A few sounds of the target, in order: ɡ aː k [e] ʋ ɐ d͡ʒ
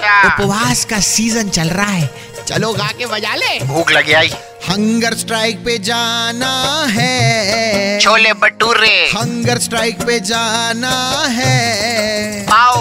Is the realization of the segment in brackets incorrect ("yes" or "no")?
no